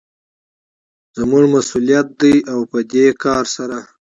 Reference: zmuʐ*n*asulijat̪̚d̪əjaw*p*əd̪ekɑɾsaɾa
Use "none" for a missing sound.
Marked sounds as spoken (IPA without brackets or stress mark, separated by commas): m, p